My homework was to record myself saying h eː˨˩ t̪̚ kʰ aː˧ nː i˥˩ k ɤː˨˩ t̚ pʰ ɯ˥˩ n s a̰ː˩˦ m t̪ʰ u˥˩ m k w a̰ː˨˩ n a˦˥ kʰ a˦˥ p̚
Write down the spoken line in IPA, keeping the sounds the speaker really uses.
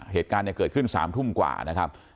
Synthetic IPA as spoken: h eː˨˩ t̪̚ k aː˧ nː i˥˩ k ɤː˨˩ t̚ kʰ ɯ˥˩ n s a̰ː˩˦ m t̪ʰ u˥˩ m k w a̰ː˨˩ n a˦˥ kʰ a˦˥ p̚